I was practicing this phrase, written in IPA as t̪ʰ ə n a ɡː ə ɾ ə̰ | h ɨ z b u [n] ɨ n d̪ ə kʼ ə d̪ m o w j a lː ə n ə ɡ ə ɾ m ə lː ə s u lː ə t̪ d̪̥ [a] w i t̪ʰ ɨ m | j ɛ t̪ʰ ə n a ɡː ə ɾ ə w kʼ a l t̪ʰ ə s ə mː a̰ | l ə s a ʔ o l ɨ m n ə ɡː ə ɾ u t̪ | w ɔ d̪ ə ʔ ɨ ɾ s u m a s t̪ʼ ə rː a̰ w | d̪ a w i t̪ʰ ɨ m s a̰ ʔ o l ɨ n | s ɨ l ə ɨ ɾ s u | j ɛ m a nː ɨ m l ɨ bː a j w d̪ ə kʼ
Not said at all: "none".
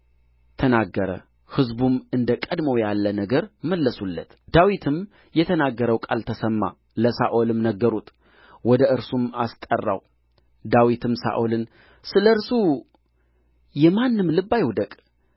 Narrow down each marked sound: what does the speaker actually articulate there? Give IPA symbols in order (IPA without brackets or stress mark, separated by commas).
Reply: m, a